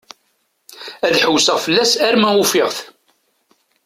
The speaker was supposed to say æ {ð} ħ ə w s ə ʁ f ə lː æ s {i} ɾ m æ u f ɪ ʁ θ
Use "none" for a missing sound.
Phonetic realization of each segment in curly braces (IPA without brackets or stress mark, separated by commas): ð, æ